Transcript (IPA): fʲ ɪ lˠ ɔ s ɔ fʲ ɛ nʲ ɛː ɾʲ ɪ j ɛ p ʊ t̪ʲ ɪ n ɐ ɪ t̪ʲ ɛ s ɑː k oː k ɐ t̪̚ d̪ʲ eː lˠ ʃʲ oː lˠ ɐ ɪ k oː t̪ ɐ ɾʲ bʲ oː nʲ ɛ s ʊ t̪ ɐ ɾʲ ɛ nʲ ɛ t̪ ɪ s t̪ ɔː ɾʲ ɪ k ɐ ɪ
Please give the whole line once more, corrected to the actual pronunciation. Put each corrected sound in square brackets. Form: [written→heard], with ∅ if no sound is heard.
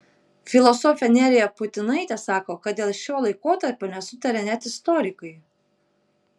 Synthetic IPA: fʲ ɪ lˠ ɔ s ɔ fʲ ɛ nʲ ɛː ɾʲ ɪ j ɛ p ʊ t̪ʲ ɪ n ɐ ɪ t̪ʲ ɛ s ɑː k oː k ɐ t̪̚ d̪ʲ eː lˠ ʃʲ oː lˠ ɐ ɪ k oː t̪ ɐ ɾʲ [bʲ→pʲ] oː nʲ ɛ s ʊ t̪ ɐ ɾʲ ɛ nʲ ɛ t̪ ɪ s t̪ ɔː ɾʲ ɪ k ɐ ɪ